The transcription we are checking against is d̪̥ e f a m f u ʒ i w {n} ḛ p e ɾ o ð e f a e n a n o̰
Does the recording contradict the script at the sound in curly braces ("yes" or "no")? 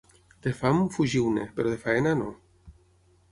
no